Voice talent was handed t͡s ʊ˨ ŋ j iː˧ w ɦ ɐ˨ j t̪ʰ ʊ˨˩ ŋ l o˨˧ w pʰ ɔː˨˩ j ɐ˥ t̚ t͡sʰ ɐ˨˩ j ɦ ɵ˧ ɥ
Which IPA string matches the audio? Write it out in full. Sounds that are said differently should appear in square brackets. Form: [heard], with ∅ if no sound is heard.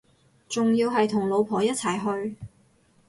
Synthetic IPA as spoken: t͡s ʊ˨ ŋ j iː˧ w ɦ ɐ˨ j t̪ʰ ʊ˨˩ ŋ l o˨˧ w pʰ ɔː˨˩ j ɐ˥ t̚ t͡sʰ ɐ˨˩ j ɦ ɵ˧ ɥ